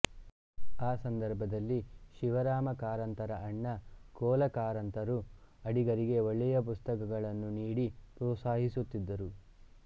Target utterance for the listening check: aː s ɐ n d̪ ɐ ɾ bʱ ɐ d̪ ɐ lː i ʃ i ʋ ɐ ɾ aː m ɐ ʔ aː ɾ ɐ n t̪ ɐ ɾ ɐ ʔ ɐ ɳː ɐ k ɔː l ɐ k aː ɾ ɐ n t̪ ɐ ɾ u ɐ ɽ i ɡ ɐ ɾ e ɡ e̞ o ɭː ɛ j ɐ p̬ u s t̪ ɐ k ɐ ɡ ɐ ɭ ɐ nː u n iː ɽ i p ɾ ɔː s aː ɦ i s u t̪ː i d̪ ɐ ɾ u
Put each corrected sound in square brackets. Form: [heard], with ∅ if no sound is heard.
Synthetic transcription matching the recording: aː s ɐ n d̪ ɐ ɾ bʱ ɐ d̪ ɐ lː i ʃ i ʋ ɐ ɾ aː m ɐ [k] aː ɾ ɐ n t̪ ɐ ɾ ɐ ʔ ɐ ɳː ɐ k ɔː l ɐ k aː ɾ ɐ n t̪ ɐ ɾ u ɐ ɽ i ɡ ɐ ɾ [i] ɡ e̞ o ɭː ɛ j ɐ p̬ u s t̪ ɐ k ɐ ɡ ɐ ɭ ɐ nː u n iː ɽ i p ɾ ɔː s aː ɦ i s u t̪ː i [d̪ː] ɐ ɾ u